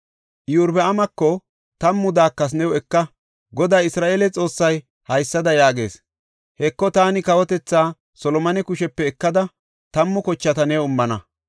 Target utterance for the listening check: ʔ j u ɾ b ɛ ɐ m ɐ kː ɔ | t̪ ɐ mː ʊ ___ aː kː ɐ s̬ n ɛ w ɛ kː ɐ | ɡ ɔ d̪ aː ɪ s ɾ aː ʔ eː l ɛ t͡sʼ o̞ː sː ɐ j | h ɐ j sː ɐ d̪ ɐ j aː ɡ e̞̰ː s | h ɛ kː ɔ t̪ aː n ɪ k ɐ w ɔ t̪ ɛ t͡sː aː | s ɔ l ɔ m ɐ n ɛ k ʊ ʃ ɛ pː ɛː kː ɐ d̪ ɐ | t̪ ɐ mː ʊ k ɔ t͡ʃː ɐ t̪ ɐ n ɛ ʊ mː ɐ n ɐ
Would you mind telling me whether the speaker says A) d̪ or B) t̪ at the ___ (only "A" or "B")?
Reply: A